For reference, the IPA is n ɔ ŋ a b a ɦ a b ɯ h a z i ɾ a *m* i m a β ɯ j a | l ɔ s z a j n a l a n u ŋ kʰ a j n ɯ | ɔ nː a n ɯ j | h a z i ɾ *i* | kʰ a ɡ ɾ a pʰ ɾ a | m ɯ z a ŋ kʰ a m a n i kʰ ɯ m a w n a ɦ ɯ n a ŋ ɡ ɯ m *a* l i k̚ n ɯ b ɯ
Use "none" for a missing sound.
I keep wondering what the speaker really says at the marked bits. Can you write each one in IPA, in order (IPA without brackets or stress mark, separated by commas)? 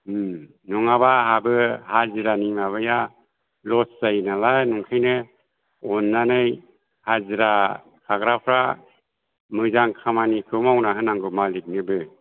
n, a, a